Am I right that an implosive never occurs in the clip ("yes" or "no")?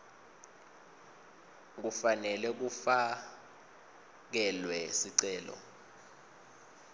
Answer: yes